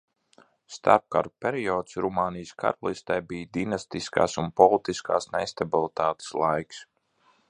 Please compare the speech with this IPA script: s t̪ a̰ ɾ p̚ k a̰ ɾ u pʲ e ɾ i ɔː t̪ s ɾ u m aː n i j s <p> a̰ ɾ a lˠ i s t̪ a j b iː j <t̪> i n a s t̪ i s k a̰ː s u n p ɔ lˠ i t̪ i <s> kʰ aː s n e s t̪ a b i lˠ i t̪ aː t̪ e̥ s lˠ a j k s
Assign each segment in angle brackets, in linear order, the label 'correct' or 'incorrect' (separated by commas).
incorrect, incorrect, correct